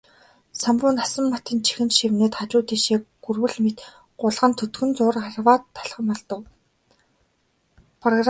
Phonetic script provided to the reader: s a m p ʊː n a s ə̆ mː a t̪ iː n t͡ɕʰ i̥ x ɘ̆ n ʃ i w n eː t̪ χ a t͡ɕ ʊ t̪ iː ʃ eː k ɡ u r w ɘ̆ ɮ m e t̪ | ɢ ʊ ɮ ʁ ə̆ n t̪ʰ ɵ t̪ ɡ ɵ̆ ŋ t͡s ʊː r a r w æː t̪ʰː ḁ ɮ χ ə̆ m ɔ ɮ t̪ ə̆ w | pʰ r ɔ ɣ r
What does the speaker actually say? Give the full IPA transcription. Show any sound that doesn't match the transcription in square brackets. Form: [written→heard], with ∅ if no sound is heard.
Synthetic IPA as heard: s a m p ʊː n a s ə̆ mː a t̪ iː n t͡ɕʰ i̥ x ɘ̆ n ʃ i w n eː t̪ χ a t͡ɕ [ʊ→ʊː] t̪ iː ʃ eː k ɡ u r w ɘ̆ ɮ m e t̪ | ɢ ʊ ɮ ʁ ə̆ n t̪ʰ ɵ t̪ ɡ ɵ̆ [ŋ→n] t͡s ʊː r a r w [æː→aː] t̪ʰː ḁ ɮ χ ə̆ m ɔ ɮ t̪ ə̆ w | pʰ r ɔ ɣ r